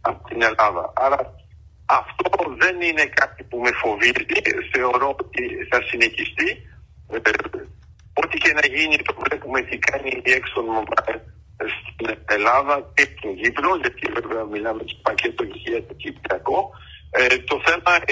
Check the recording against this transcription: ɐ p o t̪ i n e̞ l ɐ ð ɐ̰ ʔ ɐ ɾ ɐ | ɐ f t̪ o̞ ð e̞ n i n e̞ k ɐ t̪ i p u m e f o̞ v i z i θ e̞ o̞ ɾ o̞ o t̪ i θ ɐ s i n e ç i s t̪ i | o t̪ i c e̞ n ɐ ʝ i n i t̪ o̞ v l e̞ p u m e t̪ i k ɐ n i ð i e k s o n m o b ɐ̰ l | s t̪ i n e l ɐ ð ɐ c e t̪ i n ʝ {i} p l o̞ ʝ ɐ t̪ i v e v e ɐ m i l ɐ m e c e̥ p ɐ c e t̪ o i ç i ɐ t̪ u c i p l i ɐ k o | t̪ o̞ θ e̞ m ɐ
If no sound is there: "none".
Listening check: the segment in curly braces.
i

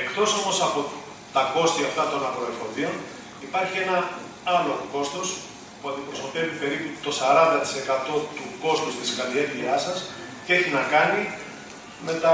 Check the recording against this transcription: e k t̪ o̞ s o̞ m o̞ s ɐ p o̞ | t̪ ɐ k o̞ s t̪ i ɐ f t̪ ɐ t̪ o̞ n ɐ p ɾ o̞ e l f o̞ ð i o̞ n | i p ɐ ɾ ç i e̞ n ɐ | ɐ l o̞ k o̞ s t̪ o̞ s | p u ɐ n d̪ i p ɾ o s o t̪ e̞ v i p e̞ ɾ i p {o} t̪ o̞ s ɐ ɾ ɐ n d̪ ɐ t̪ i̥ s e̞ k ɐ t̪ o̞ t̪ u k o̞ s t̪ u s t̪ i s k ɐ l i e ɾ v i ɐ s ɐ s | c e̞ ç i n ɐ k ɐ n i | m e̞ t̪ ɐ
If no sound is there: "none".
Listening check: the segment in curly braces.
u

